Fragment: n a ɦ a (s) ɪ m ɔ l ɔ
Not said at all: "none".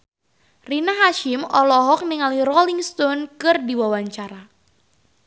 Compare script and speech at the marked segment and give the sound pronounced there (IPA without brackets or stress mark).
ʃ